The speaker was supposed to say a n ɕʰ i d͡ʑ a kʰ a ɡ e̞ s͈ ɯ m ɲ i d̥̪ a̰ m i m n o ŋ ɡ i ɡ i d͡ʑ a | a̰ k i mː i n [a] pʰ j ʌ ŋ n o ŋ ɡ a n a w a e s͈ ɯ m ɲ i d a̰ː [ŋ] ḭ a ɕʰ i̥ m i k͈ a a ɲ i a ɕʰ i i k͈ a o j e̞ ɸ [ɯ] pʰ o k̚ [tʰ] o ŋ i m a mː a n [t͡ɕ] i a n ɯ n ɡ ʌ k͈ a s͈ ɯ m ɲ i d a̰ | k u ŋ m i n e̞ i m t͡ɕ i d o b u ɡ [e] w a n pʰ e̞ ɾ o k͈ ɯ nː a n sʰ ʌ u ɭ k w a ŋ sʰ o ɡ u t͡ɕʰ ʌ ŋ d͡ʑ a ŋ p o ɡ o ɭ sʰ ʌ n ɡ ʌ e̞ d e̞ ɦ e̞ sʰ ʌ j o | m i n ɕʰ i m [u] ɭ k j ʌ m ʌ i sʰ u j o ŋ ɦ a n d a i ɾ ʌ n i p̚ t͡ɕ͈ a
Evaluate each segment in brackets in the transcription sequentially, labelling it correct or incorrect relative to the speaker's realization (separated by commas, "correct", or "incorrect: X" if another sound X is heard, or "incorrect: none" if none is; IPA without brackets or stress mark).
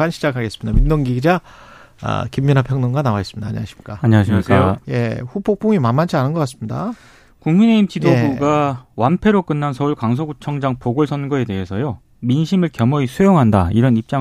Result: correct, incorrect: ɲ, incorrect: u, incorrect: pʰ, incorrect: t͡ɕʰ, incorrect: a, incorrect: ɯ